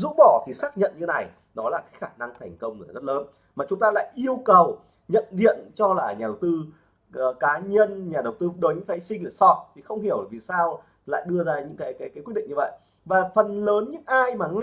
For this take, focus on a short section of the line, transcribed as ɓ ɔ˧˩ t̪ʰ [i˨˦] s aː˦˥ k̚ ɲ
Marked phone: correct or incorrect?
incorrect: i˨˩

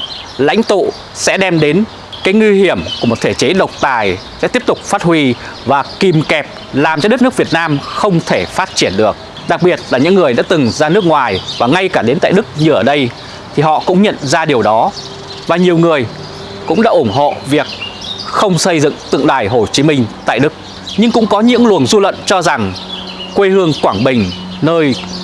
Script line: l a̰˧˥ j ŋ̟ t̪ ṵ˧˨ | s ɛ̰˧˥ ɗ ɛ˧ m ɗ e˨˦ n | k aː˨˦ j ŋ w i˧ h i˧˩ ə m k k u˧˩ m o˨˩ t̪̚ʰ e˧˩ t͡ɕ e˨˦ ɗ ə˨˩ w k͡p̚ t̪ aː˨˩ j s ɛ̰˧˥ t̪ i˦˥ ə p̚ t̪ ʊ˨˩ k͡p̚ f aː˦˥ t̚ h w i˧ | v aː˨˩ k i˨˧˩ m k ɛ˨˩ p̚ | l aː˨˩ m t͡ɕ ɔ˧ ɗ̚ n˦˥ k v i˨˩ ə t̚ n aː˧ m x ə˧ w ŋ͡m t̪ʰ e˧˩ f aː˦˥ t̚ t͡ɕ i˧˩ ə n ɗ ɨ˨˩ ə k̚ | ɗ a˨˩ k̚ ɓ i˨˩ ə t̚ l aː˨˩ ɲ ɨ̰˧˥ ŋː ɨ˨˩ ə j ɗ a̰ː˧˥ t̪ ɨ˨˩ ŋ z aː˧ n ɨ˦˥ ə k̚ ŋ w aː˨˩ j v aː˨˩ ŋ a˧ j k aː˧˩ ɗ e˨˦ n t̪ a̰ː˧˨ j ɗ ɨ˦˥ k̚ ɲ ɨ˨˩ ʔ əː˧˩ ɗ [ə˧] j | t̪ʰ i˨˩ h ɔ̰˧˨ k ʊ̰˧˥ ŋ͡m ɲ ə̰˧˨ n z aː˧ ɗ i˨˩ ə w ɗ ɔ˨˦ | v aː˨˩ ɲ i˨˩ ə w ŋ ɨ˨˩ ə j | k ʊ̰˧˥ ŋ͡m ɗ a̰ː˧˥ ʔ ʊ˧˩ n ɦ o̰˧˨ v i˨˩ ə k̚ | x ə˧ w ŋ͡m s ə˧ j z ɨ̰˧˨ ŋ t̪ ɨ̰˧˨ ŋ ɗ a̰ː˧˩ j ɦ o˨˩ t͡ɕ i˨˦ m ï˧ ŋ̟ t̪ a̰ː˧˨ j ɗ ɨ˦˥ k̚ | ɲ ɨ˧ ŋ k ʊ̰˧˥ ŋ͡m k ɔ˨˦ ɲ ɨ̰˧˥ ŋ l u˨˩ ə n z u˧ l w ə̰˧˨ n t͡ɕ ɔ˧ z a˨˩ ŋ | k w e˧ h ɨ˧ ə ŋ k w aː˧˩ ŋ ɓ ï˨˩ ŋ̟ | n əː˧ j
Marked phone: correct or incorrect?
correct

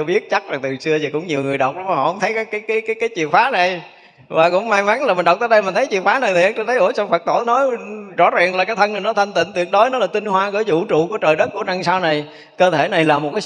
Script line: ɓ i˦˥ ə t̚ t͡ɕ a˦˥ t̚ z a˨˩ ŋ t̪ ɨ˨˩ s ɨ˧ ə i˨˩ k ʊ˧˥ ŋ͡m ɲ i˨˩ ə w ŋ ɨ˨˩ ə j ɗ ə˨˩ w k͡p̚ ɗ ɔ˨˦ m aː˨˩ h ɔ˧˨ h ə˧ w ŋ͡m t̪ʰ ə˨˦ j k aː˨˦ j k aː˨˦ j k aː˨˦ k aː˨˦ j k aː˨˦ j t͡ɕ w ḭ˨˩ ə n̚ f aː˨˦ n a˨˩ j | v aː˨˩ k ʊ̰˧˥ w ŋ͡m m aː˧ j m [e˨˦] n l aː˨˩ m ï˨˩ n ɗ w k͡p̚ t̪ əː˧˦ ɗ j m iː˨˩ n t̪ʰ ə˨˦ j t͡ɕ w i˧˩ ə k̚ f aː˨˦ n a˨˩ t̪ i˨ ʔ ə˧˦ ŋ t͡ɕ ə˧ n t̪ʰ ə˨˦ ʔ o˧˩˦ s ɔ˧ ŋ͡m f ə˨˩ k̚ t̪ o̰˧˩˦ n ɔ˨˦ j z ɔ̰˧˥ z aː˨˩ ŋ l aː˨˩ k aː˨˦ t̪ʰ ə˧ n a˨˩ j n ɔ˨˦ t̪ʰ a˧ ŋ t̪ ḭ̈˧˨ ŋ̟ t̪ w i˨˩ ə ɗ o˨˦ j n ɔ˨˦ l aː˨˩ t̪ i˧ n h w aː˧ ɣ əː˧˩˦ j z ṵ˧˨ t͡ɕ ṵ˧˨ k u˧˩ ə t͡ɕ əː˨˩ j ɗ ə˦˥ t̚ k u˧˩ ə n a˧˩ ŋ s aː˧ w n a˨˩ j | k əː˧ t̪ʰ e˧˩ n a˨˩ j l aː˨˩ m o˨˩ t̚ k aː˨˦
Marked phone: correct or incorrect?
incorrect: a˨˦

